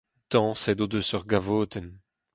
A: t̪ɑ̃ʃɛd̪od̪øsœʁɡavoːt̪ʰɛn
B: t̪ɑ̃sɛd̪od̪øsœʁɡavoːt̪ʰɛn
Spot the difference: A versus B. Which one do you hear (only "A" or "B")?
B